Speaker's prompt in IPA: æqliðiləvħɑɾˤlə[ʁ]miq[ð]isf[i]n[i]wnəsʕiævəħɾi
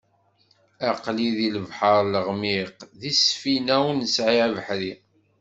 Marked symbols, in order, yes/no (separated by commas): yes, yes, yes, no